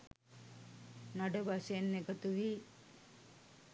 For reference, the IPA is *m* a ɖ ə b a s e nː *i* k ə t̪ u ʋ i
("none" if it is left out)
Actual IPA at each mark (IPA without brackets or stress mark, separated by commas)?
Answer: n, e